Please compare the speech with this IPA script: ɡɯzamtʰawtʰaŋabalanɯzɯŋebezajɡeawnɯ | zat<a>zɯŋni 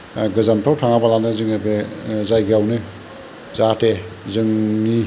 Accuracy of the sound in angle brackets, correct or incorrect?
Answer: incorrect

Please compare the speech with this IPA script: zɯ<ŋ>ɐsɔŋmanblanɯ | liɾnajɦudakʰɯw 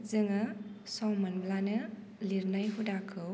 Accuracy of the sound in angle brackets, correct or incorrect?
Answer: correct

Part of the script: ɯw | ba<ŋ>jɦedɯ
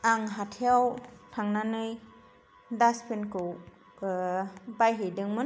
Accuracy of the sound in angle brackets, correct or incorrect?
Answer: incorrect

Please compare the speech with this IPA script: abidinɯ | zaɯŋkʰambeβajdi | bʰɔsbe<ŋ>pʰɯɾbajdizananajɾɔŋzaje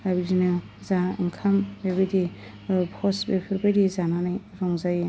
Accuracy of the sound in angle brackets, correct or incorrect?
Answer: incorrect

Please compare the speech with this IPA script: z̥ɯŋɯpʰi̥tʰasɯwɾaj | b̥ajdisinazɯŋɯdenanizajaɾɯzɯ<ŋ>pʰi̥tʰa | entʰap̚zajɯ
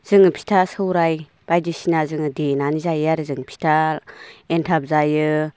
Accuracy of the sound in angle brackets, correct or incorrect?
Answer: correct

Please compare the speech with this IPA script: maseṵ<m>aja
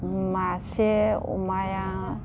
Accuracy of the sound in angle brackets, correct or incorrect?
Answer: correct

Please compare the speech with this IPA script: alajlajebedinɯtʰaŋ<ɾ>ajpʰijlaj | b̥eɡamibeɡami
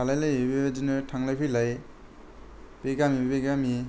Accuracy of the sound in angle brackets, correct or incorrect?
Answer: incorrect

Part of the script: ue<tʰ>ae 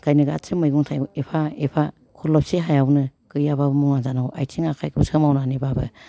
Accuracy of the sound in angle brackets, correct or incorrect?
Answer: incorrect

